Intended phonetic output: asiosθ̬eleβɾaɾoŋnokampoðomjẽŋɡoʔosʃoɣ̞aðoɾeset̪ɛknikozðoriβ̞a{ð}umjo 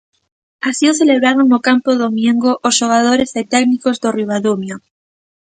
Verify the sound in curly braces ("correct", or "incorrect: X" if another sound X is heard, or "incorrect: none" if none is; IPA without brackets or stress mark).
correct